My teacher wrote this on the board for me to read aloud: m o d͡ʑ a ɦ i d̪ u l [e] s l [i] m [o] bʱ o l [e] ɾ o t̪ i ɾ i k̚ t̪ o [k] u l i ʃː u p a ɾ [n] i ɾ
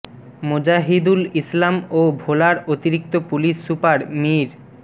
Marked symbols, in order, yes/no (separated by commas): no, no, yes, no, no, no